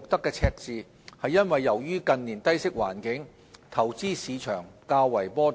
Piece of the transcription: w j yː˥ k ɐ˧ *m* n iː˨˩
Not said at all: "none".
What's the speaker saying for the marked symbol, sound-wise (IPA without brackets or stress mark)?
n